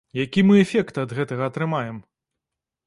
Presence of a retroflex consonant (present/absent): absent